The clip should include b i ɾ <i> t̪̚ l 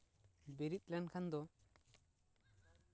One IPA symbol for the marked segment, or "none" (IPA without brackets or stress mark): i